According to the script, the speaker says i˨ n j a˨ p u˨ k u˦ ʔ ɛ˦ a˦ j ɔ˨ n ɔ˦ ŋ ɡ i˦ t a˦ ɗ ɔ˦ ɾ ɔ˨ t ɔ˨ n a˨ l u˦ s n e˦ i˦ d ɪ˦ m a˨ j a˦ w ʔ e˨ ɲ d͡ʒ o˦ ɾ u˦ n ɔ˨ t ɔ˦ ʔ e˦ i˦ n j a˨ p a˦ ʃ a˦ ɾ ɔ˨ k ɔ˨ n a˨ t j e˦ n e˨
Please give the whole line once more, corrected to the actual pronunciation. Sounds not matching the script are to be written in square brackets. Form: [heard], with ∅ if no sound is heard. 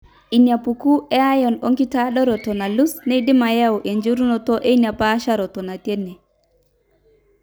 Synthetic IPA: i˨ n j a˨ p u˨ k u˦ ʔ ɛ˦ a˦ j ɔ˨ n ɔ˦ ŋ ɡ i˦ t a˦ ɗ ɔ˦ ɾ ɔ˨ t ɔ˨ n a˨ l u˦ s n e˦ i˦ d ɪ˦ m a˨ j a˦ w ʔ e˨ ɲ d͡ʒ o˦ ɾ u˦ n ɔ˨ t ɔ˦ ʔ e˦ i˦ n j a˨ p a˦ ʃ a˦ ɾ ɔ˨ [t] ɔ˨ n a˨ t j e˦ n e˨

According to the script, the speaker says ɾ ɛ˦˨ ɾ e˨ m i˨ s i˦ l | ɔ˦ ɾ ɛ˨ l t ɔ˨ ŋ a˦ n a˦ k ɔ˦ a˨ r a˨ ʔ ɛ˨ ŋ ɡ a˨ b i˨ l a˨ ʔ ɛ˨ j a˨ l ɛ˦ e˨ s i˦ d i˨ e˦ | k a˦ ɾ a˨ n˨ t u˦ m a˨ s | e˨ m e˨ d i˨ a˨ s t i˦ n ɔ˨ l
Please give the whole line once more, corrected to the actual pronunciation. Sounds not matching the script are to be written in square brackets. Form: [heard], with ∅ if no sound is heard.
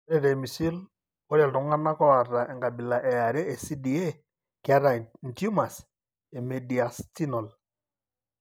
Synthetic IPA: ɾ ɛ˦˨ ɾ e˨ m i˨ s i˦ l | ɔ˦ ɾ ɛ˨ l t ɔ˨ ŋ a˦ n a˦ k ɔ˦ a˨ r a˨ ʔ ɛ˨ ŋ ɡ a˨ b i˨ l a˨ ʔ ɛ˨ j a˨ [ɾ] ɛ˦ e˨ s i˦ d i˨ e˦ | k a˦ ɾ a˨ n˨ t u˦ m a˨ s | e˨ m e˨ d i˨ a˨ s t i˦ n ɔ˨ l

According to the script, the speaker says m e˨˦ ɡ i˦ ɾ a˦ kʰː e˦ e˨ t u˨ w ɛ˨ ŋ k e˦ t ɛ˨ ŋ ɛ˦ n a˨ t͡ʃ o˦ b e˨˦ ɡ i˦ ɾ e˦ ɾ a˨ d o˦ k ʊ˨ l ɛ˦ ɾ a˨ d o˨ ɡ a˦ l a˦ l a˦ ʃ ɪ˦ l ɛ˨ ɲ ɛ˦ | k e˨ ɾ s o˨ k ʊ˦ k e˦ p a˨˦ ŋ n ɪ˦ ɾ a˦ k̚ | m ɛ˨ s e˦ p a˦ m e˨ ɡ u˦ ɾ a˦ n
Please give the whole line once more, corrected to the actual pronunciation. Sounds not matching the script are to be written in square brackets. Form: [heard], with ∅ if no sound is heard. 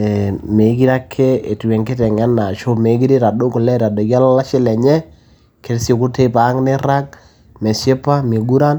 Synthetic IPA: m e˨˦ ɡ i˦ ɾ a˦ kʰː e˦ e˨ t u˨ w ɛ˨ ŋ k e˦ t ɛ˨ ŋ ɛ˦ n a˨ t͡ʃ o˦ [m] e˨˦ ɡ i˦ ɾ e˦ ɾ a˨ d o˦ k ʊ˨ l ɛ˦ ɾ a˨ d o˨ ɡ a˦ l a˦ l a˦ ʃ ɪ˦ l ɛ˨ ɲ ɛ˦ | k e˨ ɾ s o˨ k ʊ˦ [t] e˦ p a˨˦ ŋ n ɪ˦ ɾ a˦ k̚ | m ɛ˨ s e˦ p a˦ m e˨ ɡ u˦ ɾ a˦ n

